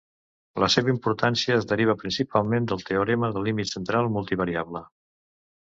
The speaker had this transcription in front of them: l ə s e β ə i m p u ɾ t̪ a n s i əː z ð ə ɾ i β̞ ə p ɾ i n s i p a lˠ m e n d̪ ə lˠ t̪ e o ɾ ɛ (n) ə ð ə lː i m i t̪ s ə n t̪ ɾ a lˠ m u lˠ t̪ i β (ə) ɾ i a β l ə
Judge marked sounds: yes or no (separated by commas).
no, yes